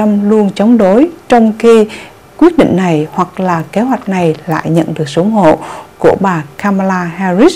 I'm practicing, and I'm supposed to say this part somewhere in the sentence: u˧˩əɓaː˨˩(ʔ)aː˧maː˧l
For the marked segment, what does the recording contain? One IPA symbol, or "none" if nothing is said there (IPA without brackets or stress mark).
k